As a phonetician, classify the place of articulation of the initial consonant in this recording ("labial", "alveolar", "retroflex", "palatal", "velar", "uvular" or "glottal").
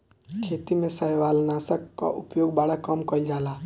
velar